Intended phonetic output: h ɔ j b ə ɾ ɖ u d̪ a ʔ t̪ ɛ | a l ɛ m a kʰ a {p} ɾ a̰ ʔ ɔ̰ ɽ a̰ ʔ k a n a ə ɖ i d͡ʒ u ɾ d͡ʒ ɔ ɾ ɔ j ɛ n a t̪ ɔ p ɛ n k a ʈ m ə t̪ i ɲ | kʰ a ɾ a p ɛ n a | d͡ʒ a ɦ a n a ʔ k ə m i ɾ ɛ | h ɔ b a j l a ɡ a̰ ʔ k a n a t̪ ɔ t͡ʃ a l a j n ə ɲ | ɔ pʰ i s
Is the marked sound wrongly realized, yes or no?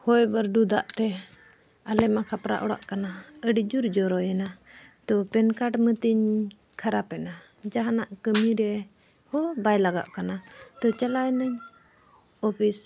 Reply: no